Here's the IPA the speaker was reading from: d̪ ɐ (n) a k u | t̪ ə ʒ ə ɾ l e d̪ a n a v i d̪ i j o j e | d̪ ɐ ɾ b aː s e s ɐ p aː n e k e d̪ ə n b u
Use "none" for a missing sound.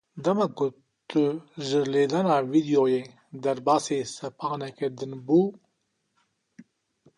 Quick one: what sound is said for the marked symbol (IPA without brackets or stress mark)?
m